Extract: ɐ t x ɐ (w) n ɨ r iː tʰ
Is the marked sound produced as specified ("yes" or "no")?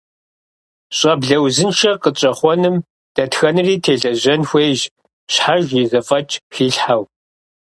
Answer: no